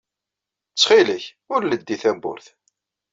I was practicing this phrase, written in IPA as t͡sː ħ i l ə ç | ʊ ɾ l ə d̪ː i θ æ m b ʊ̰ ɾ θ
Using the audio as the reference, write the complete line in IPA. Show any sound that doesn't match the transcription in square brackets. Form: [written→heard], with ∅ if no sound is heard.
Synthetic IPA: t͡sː [ħ→χ] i l ə ç | ʊ ɾ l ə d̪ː i θ æ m b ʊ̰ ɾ θ